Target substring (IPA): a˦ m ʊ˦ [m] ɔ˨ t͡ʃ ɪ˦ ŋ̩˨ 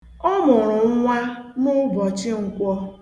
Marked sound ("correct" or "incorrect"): incorrect